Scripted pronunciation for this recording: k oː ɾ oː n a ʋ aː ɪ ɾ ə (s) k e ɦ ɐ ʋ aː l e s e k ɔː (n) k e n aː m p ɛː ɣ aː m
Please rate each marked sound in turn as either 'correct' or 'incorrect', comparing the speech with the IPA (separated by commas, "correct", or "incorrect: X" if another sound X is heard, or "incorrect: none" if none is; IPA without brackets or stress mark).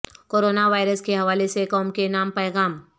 correct, incorrect: m